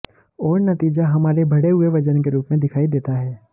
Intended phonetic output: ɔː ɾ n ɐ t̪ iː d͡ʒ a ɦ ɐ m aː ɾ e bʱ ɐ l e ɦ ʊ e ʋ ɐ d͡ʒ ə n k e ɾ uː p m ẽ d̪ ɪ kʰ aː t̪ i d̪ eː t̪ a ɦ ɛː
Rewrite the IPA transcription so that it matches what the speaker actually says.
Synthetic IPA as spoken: ɔː ɾ n ɐ t̪ iː d͡ʒ a ɦ ɐ m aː ɾ e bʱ ɐ ɽ e ɦ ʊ e ʋ ɐ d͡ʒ ə n k e ɾ uː p m ẽ d̪ ɪ kʰ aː i d̪ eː t̪ a ɦ ɛː